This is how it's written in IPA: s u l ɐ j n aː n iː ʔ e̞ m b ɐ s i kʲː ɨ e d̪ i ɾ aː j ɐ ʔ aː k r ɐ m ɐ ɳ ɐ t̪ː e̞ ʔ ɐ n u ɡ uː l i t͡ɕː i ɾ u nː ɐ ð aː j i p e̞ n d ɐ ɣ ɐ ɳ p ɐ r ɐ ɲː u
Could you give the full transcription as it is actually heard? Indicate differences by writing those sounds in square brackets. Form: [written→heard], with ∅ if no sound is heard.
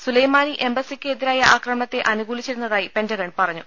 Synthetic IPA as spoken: s u l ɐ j [n→m] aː n [iː→i] ʔ e̞ m b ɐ s i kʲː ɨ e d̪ i ɾ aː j ɐ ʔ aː k r ɐ m ɐ ɳ ɐ t̪ː e̞ ʔ ɐ n u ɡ uː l i t͡ɕː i ɾ u nː ɐ ð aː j i p e̞ n d ɐ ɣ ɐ ɳ p ɐ r ɐ ɲː u